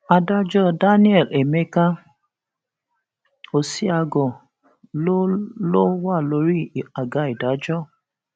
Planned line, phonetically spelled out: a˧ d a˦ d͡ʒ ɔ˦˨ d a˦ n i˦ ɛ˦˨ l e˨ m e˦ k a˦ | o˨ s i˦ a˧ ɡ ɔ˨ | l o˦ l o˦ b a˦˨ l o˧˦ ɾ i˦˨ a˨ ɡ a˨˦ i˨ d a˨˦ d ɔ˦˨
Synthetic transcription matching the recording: a˧ d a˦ d͡ʒ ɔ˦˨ d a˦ n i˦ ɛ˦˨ l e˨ m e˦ k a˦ | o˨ s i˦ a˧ ɡ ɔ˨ | l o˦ l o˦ w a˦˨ l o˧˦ ɾ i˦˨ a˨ ɡ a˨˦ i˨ d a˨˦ d͡ʒ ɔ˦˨